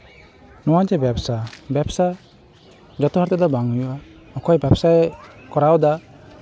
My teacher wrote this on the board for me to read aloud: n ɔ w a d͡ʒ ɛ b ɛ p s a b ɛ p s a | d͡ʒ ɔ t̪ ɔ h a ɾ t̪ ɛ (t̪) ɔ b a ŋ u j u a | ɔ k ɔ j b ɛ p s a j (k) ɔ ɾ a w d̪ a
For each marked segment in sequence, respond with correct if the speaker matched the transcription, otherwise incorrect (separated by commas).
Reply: incorrect, correct